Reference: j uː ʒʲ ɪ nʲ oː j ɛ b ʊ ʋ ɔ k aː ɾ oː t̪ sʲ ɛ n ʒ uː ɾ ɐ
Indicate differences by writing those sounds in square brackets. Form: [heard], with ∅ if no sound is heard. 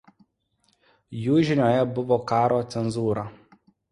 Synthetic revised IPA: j uː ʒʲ ɪ nʲ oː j ɛ b ʊ ʋ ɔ k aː ɾ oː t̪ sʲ ɛ n [z] uː ɾ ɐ